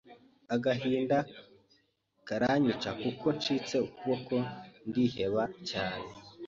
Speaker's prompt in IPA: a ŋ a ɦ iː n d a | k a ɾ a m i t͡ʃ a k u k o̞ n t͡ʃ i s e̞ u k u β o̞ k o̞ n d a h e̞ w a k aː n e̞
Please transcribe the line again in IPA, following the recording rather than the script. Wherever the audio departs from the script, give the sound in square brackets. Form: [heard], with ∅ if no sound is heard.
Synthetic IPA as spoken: a [ɡ] a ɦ iː n d a | k a ɾ a [ɲ] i t͡ʃ a k u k o̞ n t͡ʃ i [t͡s] e̞ u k u β o̞ k o̞ n d [i] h e̞ [β] a [c] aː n e̞